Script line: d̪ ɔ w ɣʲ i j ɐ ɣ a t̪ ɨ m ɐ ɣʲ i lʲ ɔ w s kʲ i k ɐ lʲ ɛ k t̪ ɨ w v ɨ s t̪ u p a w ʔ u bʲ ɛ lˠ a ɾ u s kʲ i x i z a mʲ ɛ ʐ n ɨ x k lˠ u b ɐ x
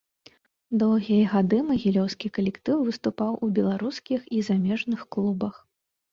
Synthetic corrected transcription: d̪ ɔ w ɣʲ i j ɐ ɣ a d̪ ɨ m ɐ ɣʲ i lʲ ɔ w s kʲ i k ɐ lʲ ɛ k t̪ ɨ w v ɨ s t̪ u p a w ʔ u bʲ ɛ lˠ a ɾ u s kʲ i x i z a mʲ ɛ ʐ n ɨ x k lˠ u b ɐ x